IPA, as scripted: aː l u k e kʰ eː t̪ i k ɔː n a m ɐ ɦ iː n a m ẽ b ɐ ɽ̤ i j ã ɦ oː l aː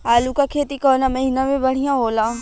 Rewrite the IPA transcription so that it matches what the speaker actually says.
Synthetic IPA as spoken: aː l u k a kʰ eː t̪ i k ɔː n a m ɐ ɦ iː n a m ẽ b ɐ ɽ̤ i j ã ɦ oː l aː